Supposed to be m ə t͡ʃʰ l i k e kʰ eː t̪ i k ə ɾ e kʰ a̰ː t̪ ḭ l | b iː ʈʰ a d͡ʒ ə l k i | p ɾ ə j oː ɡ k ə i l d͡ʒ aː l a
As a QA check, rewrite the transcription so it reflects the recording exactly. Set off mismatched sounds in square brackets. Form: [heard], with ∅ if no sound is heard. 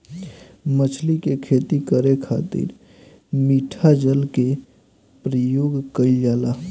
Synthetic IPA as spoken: m ə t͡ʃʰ l i k e kʰ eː t̪ i k ə ɾ e kʰ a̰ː t̪ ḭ [ɾ] | [m] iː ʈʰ a d͡ʒ ə l k [e] | p ɾ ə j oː ɡ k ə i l d͡ʒ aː l a